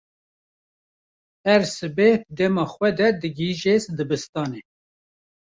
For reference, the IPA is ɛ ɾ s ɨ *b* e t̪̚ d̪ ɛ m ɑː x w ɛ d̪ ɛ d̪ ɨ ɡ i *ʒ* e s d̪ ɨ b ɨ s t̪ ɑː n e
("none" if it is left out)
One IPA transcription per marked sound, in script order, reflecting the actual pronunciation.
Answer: b, ʒ

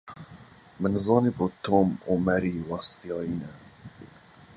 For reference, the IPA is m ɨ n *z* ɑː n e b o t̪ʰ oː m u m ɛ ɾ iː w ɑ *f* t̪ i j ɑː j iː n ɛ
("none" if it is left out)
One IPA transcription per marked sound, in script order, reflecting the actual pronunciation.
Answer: z, s

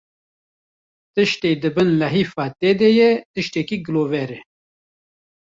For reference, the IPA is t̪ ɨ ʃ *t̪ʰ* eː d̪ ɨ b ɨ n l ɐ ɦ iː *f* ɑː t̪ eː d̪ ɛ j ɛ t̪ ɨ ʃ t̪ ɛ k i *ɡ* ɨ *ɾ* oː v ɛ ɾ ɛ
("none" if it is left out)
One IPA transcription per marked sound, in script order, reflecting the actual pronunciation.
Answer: t̪, f, ɡ, l

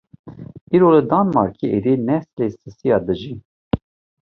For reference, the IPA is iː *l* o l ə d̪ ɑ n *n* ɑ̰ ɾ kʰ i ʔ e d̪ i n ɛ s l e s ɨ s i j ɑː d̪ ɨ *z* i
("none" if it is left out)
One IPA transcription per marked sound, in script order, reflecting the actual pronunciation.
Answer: ɾ, m, ʒ

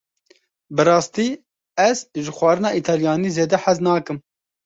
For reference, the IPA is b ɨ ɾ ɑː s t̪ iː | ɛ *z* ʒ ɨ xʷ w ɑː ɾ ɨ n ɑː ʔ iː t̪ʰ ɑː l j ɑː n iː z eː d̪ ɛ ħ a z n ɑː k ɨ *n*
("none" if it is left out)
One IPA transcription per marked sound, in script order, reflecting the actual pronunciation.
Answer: z, m

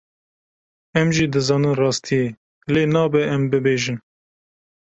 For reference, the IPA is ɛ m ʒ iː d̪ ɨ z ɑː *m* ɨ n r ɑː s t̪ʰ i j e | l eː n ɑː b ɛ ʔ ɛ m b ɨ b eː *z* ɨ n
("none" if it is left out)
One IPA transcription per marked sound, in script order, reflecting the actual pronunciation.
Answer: n, ʒ

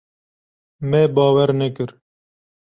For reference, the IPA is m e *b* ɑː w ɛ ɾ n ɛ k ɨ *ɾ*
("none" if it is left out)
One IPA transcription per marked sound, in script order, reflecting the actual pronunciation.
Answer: b, ɾ

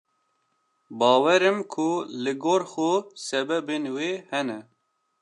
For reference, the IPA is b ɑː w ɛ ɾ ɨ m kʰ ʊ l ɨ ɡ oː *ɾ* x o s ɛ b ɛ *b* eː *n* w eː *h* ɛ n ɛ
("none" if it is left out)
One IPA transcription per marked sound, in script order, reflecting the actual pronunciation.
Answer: ɾ, b, n, h

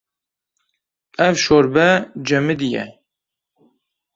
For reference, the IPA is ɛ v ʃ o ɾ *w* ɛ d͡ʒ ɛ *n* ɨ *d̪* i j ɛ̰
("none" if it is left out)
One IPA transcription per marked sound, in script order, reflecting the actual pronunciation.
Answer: b, m, d̪

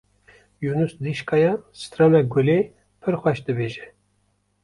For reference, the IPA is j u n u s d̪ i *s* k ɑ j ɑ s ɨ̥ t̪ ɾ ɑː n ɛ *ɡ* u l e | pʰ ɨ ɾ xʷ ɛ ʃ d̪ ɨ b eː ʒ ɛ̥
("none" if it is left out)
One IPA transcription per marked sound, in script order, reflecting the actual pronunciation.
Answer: ʃ, ɡ

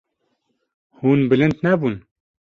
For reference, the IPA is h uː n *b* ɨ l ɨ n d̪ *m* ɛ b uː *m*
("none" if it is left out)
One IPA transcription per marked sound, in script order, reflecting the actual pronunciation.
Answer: b, n, n

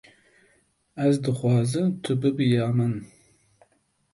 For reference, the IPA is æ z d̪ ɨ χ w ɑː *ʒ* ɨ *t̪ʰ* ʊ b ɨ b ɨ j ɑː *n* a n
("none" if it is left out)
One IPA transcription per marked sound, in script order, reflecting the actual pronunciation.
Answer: z, t̪ʰ, m

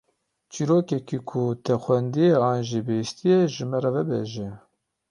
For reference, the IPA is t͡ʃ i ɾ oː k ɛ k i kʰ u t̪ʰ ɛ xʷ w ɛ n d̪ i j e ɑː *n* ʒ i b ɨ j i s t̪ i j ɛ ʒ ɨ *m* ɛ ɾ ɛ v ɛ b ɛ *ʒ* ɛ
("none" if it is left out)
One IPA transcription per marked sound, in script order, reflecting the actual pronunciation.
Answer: n, m, ʒ

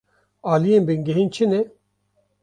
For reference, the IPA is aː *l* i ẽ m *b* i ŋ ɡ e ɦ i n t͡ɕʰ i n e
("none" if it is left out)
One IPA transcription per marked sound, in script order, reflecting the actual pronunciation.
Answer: l, b

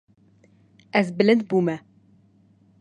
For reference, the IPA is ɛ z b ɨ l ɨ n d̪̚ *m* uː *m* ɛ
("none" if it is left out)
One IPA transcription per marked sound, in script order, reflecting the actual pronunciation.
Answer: b, m

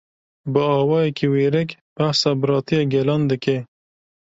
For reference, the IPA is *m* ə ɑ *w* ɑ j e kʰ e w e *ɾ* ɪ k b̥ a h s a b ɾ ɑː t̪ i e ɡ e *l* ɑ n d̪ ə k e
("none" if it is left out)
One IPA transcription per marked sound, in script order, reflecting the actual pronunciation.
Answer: b, w, ɾ, l

